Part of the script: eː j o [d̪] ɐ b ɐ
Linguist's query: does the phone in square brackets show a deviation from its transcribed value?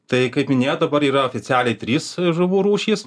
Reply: no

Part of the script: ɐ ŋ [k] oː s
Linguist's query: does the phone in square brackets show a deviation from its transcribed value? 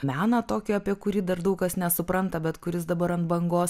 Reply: yes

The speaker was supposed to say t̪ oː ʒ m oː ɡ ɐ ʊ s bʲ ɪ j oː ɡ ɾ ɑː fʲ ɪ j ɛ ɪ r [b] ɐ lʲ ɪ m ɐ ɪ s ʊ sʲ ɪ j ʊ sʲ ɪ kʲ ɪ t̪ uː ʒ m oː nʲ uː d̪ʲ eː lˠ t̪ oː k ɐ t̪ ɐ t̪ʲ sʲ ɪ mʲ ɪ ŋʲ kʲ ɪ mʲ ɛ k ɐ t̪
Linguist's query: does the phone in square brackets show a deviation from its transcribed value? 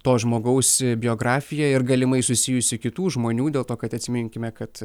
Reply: yes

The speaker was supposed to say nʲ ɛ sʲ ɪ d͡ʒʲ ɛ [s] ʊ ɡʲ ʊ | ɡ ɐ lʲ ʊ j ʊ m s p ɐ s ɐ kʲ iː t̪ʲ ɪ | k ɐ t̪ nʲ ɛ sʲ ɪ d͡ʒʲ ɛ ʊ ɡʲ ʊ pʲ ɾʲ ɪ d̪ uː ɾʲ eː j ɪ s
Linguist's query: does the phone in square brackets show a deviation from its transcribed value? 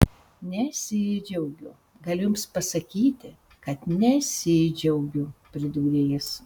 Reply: yes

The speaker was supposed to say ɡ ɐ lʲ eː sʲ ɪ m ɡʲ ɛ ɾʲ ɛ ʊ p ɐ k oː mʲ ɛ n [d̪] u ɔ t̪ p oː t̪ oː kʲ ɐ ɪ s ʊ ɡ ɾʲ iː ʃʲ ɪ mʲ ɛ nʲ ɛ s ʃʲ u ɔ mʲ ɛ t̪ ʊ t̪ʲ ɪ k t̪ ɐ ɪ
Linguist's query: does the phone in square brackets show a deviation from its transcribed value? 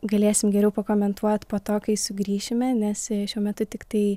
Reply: yes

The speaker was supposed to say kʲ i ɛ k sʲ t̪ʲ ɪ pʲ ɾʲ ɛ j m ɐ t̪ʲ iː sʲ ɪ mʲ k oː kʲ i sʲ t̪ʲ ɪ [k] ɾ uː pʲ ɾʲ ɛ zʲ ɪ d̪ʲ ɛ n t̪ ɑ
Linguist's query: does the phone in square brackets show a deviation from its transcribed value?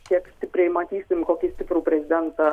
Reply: yes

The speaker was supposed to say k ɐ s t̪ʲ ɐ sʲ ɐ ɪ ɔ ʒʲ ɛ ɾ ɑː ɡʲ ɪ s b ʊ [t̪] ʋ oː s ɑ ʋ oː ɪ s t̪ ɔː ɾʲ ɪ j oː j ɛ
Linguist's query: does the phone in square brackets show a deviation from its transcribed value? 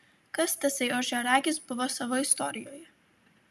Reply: yes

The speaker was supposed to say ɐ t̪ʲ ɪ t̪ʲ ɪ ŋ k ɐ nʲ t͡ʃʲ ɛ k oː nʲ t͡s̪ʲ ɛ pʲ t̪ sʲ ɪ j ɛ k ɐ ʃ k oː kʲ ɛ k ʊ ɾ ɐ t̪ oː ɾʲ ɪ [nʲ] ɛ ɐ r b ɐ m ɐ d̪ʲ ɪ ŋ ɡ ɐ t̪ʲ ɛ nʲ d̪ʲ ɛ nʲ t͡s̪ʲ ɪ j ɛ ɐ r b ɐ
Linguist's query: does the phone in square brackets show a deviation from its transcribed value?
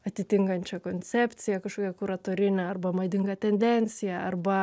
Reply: no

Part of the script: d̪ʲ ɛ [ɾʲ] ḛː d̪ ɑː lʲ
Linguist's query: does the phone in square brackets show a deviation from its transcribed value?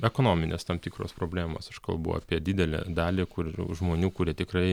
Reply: yes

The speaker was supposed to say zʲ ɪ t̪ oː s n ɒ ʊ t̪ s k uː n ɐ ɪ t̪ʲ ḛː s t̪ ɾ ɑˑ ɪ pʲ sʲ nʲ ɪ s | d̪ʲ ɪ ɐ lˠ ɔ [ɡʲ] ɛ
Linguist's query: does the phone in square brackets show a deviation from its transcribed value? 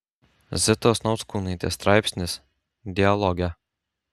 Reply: no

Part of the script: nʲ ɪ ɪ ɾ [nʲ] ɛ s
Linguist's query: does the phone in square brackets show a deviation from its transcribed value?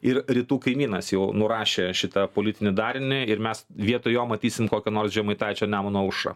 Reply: yes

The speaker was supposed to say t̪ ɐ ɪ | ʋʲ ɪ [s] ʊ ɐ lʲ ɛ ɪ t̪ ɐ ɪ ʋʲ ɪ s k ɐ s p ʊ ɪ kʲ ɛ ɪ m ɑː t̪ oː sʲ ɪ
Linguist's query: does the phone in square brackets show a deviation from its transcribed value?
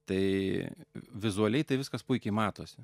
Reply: yes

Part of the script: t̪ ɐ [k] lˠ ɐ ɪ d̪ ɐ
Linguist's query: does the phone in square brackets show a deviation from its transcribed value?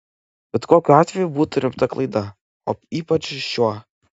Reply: no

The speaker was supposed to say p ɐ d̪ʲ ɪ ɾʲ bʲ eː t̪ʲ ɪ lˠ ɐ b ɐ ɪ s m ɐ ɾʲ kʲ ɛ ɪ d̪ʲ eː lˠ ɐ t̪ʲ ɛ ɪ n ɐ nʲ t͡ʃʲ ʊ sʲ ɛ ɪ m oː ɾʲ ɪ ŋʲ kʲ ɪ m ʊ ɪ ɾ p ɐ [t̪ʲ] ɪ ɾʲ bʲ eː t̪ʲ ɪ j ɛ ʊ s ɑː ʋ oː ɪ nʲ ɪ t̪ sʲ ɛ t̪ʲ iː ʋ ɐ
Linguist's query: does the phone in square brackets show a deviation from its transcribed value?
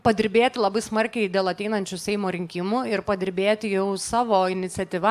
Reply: yes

